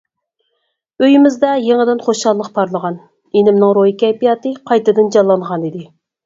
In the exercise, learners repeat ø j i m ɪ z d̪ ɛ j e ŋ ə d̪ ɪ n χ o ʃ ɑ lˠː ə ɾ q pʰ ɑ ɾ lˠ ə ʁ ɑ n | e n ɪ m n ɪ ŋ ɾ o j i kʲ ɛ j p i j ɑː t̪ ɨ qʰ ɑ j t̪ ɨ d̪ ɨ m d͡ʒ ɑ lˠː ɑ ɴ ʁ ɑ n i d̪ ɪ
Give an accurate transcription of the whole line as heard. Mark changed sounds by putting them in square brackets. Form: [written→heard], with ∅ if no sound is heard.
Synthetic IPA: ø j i m ɪ z d̪ ɛ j e ŋ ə d̪ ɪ n χ o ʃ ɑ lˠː ə [ɾ→∅] q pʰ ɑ ɾ lˠ ə ʁ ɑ n | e n ɪ m n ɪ ŋ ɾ o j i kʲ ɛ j p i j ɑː t̪ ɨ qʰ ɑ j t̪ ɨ d̪ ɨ [m→n] d͡ʒ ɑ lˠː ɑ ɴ ʁ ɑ n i d̪ ɪ